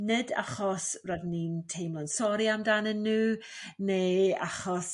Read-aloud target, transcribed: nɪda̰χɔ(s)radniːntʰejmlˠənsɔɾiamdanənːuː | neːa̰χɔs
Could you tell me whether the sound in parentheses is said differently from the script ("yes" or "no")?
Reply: no